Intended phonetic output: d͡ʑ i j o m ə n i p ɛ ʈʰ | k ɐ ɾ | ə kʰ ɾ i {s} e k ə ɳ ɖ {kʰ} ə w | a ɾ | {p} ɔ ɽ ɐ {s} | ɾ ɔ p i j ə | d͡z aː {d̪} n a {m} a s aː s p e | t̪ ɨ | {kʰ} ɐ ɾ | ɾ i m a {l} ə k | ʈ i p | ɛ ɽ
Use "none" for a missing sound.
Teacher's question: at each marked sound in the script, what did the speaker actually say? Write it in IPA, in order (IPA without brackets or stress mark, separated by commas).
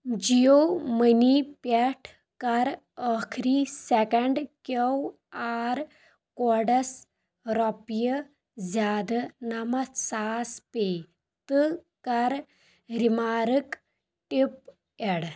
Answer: s, k, k, s, d̪, m, k, ɾ